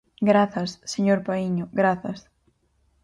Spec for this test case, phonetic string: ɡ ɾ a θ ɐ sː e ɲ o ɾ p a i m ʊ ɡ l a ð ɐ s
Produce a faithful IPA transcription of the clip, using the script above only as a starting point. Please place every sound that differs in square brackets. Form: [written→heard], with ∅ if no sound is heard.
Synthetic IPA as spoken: ɡ ɾ a θ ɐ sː e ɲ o ɾ p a i [m→ɲ] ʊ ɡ [l→ɾ] a [ð→θ] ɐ s